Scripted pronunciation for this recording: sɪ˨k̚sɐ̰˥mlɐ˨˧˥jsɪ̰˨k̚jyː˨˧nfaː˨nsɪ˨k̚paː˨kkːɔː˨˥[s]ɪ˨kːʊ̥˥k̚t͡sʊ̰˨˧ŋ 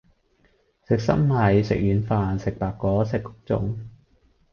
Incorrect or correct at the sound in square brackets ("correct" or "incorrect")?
correct